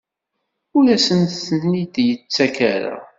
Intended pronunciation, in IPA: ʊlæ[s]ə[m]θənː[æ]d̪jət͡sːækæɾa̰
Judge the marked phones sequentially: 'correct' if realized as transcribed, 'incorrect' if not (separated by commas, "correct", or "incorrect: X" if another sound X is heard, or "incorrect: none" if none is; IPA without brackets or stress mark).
correct, incorrect: n, incorrect: i